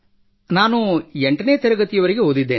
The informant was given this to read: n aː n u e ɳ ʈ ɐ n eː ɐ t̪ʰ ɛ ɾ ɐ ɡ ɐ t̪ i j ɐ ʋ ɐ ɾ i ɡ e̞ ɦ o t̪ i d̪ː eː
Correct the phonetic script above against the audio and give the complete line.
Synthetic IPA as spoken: n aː n u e ɳ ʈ ɐ n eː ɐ t̪ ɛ ɾ ɐ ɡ ɐ t̪ i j ɐ ʋ ɐ ɾ i ɡ e̞ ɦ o d̪ i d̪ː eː